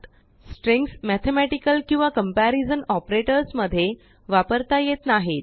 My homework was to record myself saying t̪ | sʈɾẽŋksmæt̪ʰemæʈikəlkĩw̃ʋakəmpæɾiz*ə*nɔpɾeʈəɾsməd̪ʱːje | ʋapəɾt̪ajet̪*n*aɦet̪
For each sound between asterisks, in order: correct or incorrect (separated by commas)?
correct, correct